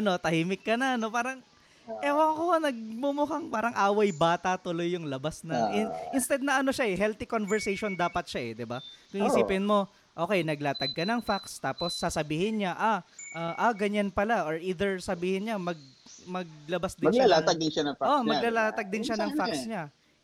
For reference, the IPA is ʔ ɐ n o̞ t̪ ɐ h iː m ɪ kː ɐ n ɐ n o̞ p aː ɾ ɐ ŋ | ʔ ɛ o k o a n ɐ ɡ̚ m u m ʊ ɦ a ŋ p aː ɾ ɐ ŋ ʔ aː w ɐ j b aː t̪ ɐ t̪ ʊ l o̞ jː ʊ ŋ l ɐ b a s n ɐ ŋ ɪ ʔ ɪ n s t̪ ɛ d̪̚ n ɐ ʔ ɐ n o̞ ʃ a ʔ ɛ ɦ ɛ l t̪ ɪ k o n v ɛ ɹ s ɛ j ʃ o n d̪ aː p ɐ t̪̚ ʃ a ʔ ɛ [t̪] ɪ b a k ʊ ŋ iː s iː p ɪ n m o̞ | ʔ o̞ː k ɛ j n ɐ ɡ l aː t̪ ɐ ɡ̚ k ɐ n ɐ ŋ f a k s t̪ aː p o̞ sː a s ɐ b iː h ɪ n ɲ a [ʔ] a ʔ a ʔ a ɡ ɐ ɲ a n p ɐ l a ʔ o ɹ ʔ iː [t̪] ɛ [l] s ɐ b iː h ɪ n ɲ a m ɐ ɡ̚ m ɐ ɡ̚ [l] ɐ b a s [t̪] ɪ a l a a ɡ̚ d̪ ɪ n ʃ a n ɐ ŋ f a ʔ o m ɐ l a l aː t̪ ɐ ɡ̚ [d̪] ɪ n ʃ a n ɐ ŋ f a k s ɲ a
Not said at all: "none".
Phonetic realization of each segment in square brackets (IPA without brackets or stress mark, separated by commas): d̪, ʔ, d̪, ɹ, l, d̪, d̪